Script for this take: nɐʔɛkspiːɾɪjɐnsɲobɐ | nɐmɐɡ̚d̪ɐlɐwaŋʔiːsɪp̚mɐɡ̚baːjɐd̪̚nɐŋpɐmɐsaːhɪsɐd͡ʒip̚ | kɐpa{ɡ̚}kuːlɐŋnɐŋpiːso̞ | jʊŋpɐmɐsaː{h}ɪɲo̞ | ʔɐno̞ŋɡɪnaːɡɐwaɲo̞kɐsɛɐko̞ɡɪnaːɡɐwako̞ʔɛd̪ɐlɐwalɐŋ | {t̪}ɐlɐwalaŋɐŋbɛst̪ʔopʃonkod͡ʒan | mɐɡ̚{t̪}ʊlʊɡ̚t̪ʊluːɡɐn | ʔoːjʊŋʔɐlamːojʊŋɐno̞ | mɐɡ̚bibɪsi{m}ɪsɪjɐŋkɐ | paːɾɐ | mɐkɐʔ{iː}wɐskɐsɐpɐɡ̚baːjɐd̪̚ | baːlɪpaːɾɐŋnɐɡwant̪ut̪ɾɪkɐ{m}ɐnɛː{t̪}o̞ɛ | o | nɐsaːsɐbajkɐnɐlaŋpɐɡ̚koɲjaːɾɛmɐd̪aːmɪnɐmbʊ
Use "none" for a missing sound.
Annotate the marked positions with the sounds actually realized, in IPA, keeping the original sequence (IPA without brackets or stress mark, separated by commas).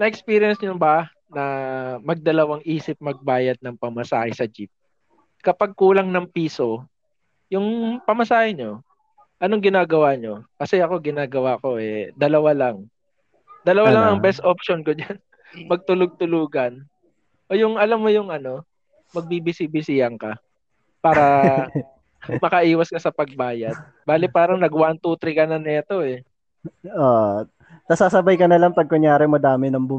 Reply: ɡ̚, h, d̪, t̪, b, iː, n, t̪